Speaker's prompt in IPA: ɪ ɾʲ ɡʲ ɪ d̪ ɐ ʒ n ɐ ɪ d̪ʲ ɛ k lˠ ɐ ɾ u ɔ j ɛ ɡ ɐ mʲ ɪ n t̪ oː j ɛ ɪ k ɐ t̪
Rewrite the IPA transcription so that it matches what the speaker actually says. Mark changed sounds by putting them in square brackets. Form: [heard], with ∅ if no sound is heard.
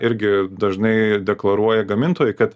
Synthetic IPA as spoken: ɪ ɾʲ ɡʲ ɪ d̪ ɐ ʒ n ɐ ɪ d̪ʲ ɛ k lˠ ɐ ɾ u ɔ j ɛ ɡ ɐ mʲ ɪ n t̪ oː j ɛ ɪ k ɐ t̪